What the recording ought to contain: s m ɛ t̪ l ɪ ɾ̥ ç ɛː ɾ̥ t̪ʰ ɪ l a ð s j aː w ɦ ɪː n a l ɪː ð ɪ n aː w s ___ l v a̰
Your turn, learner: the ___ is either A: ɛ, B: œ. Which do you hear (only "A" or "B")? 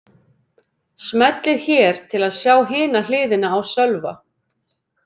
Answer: B